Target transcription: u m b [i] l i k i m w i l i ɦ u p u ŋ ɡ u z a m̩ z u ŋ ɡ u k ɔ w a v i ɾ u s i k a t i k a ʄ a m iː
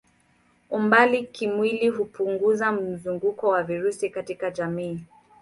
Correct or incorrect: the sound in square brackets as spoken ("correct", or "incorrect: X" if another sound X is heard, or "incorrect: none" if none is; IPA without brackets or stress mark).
incorrect: a